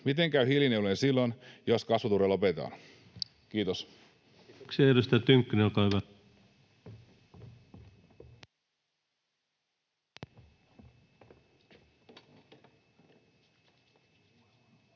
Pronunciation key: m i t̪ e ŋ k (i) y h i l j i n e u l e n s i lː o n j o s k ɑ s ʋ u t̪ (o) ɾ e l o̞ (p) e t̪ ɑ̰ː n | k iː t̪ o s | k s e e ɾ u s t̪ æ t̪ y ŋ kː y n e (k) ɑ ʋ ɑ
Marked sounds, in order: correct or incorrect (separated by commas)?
incorrect, incorrect, correct, correct